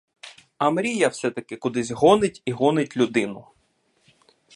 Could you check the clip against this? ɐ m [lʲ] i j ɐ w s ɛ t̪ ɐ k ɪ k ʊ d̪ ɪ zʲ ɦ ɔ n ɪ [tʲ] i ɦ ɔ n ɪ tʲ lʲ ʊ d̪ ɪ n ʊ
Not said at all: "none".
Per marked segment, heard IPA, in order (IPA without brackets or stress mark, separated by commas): ɾʲ, tʲ